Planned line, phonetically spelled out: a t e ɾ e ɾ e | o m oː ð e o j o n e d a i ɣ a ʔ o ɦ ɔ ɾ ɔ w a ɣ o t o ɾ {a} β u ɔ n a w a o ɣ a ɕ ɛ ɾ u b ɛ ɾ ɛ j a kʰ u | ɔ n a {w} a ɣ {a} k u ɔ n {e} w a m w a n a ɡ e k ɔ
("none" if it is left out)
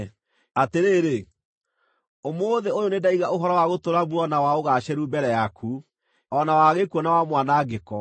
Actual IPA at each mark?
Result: a, w, e, a

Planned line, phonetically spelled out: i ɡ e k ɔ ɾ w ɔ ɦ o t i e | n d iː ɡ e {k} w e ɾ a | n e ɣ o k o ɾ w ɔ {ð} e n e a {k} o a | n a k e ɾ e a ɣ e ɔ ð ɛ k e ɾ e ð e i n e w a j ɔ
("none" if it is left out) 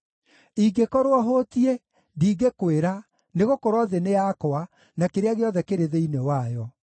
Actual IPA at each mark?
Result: k, ð, k

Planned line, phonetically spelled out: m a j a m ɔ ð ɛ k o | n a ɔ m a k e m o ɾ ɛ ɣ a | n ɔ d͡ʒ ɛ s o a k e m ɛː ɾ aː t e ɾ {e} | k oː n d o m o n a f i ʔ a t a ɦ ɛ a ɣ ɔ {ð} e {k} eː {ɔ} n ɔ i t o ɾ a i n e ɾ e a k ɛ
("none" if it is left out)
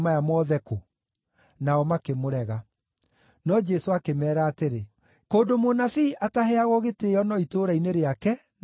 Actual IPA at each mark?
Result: e, ɣ, t, ɔ

